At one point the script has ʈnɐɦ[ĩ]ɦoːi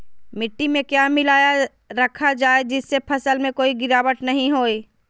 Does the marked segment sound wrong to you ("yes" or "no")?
no